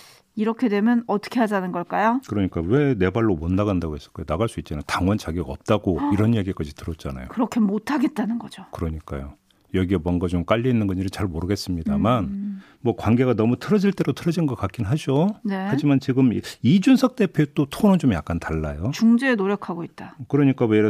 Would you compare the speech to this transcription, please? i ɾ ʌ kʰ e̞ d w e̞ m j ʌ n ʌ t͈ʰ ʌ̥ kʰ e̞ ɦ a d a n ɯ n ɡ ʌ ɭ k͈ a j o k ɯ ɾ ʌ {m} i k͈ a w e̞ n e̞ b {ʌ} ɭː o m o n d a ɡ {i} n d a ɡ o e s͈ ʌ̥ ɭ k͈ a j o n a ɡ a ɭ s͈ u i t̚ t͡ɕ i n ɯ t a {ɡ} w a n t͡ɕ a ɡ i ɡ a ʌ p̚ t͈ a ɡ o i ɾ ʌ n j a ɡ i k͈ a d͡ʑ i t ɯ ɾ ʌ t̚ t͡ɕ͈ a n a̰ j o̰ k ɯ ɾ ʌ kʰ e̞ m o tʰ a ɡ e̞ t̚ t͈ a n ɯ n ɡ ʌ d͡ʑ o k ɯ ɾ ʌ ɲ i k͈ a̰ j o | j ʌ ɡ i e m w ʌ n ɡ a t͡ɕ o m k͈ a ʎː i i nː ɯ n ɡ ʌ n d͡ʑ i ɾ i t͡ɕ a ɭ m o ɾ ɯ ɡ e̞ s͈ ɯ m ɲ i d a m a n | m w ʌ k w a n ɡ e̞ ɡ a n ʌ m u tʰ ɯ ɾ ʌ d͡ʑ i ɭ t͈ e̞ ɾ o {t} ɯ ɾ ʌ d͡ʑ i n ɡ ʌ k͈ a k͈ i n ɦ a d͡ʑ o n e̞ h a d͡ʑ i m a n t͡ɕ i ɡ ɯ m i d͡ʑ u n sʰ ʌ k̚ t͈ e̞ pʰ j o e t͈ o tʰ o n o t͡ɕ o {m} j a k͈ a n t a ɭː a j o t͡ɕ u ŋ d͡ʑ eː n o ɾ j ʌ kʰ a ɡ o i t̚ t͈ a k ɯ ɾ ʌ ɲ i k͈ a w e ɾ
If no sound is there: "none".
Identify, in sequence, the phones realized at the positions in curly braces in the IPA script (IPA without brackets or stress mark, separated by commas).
ɲ, a, a, ŋ, tʰ, m